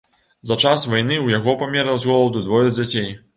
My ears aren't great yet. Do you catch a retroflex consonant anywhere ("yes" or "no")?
yes